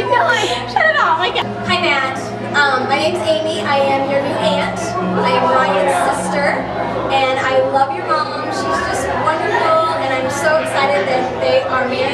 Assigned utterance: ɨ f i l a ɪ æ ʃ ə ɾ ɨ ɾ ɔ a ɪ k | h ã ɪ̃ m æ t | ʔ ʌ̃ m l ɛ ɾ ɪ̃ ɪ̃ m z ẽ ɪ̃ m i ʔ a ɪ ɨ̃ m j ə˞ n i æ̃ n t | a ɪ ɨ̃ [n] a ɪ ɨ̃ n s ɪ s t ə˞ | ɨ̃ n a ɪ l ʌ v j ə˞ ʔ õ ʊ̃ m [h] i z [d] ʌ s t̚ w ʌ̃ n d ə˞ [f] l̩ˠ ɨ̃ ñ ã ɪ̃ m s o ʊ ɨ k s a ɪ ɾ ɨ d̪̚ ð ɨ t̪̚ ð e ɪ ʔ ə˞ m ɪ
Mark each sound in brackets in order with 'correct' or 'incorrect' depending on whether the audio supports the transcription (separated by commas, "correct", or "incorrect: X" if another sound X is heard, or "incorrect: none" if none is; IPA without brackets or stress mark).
incorrect: m, incorrect: ʃ, incorrect: d͡ʒ, correct